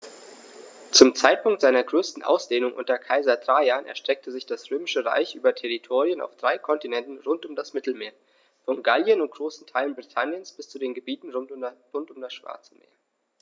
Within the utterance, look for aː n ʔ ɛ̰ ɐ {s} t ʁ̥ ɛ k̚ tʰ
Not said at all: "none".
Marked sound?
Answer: ʃ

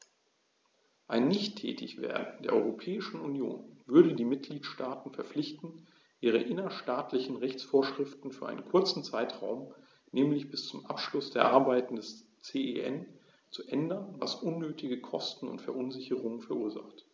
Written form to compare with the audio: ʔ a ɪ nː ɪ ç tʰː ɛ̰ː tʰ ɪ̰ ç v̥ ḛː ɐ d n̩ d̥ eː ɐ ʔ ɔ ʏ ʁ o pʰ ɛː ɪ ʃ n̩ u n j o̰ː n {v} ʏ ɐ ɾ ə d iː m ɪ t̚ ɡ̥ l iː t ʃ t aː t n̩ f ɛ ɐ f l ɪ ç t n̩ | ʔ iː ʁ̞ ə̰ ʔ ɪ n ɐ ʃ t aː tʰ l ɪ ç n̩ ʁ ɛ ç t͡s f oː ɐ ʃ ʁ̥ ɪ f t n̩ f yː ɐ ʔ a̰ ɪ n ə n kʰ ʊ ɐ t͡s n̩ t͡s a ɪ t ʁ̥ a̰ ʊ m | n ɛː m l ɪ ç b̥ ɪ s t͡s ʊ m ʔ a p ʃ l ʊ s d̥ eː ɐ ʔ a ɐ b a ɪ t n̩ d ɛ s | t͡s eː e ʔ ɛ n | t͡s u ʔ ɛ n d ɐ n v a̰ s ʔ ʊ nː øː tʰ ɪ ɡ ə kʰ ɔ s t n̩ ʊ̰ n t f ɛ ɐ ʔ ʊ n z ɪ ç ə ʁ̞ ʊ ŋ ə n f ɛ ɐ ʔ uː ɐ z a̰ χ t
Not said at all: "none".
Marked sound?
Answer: v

